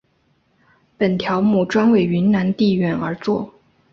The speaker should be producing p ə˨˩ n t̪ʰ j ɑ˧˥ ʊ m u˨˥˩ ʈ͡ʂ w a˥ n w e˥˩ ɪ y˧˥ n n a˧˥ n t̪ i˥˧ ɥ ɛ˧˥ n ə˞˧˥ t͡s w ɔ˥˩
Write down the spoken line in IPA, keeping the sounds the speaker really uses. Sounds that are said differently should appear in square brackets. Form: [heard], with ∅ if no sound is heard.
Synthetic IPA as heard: p ə˨˩ n t̪ʰ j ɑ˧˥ ʊ m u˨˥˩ ʈ͡ʂ w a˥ n w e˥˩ ɪ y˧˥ n n a˧˥ n t̪ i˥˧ ɥ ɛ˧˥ n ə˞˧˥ t͡s w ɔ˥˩